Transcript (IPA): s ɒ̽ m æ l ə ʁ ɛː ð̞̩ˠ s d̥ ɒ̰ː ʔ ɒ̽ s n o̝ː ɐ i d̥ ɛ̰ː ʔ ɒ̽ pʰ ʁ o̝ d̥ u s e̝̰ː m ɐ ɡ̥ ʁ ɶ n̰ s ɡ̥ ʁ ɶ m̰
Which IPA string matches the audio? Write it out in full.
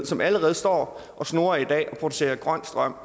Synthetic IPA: s ɒ̽ m æ l ə ʁ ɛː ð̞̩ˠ s d̥ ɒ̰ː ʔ ɒ̽ s n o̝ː ɐ i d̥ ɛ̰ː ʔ ɒ̽ pʰ ʁ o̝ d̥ u s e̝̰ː ɐ ɡ̥ ʁ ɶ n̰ s d̥ ʁ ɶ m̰